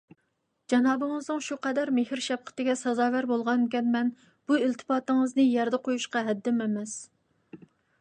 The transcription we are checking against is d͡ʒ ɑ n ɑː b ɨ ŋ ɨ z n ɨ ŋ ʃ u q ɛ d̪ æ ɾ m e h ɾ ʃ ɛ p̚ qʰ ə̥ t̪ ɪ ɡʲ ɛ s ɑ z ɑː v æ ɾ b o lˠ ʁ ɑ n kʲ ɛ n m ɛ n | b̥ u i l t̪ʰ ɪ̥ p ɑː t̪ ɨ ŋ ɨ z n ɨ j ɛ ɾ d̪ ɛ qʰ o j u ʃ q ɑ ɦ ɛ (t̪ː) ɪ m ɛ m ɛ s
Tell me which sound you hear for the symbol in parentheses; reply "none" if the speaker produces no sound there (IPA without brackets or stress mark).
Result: d̪ː